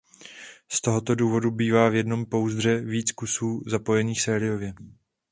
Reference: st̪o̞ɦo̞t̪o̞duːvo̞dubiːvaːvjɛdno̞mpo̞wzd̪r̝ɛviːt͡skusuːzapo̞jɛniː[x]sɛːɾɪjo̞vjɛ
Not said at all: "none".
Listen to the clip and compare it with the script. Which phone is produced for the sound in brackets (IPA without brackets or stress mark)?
x